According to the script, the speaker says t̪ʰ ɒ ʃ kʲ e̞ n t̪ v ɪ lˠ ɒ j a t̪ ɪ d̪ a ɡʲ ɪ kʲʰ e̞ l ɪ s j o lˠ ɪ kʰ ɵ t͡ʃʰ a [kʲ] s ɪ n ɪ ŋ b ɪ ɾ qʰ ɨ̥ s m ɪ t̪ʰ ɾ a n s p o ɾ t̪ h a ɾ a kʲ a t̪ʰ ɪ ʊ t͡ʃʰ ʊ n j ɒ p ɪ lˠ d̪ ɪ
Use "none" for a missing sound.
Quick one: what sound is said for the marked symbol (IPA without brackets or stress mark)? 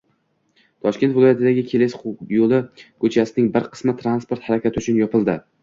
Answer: none